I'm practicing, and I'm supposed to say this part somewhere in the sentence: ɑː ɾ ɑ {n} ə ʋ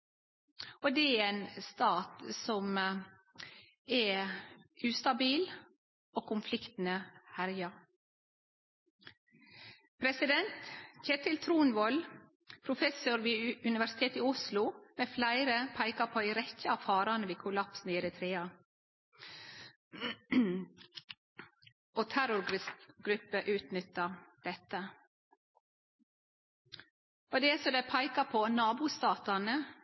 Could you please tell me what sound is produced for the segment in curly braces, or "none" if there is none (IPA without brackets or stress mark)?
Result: n